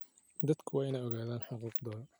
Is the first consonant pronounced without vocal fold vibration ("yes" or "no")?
no